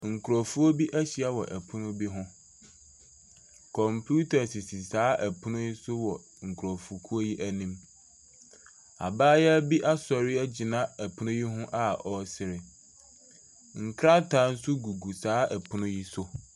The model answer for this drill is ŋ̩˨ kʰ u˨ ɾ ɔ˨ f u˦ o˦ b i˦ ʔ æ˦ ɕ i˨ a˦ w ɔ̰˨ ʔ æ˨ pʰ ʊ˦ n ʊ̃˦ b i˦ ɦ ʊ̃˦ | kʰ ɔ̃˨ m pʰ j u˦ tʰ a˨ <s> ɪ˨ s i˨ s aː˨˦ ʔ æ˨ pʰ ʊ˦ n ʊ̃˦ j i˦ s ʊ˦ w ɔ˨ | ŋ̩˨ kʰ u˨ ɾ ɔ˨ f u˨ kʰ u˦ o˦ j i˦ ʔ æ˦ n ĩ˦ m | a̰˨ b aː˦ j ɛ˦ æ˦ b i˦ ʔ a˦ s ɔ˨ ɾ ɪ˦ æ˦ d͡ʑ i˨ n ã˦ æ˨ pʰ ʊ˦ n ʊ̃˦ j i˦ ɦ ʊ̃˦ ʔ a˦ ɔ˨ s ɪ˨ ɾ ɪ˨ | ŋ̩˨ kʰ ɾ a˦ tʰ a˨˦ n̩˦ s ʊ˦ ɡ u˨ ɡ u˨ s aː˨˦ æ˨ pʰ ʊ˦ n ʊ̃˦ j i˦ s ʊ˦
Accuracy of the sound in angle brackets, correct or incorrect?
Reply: correct